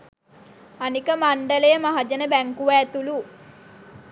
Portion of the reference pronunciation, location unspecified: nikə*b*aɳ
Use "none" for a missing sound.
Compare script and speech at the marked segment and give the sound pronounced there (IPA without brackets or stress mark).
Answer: m